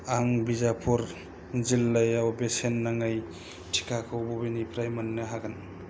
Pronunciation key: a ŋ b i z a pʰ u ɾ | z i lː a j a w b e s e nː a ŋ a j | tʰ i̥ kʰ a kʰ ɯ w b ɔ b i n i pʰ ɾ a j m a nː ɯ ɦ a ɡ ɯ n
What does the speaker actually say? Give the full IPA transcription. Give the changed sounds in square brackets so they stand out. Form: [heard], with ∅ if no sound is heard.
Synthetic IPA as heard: a ŋ b i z a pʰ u ɾ | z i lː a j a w b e s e nː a ŋ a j | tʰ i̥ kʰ a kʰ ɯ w b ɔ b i n i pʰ ɾ a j m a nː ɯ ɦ a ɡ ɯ n